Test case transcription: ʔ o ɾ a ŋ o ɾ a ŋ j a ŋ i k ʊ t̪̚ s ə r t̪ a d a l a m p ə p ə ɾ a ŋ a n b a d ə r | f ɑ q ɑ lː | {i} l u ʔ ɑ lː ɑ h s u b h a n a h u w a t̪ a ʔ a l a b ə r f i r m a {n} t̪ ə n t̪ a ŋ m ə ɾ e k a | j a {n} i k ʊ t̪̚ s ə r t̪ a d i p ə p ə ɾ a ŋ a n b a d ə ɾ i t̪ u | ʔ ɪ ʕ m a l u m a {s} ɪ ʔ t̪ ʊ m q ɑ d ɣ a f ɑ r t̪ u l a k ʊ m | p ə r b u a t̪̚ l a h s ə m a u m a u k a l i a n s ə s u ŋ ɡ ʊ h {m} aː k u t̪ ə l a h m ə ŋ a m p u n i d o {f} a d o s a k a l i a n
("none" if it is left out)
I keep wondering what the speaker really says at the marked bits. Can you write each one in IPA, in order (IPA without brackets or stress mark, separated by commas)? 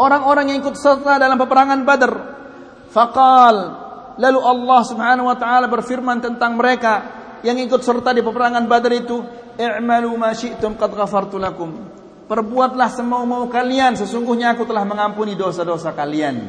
a, n, ŋ, ʃ, ɲ, s